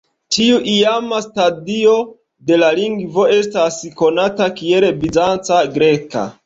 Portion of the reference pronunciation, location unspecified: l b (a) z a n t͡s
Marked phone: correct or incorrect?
incorrect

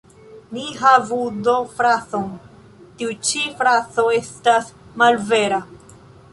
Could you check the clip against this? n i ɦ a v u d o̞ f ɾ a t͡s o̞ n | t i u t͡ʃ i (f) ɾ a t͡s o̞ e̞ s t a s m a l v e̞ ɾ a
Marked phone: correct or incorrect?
correct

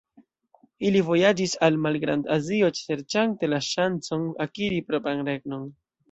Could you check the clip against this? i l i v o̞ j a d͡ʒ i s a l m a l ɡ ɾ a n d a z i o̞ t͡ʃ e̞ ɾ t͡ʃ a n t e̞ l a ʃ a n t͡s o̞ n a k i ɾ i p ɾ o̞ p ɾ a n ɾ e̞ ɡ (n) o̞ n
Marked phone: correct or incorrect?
correct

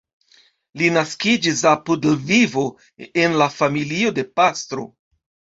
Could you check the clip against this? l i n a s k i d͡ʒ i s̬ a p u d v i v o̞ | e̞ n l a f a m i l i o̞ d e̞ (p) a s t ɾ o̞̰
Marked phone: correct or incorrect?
correct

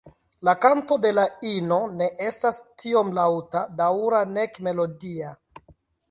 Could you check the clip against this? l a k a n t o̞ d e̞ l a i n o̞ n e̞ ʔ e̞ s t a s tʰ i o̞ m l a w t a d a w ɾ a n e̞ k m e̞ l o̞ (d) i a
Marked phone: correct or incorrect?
correct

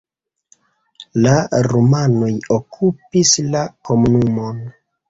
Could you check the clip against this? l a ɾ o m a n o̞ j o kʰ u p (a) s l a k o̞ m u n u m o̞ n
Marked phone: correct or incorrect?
incorrect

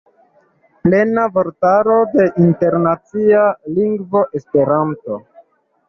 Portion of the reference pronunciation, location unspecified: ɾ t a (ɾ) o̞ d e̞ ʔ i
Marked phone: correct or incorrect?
correct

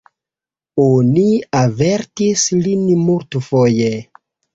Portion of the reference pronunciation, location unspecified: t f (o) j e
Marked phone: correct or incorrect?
correct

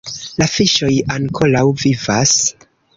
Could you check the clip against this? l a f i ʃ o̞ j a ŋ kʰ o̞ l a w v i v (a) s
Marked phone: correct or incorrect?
correct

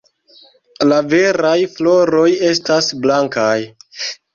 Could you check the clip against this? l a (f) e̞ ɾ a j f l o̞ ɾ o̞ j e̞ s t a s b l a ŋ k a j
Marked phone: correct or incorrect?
incorrect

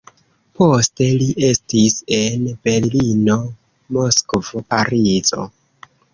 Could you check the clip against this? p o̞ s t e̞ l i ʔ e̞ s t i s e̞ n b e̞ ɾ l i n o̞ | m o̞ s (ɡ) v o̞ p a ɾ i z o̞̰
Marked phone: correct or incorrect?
incorrect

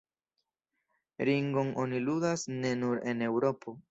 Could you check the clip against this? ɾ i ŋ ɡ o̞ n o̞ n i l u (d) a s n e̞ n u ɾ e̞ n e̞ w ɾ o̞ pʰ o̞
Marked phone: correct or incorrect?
correct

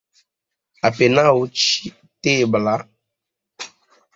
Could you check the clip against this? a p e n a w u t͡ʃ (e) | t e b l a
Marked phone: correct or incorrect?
incorrect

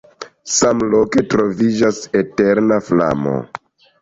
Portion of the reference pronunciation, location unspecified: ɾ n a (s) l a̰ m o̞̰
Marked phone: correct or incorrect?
incorrect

